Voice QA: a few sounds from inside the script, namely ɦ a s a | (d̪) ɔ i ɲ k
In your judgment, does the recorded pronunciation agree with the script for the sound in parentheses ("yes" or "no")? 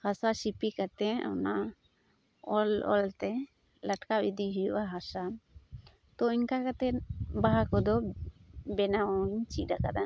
no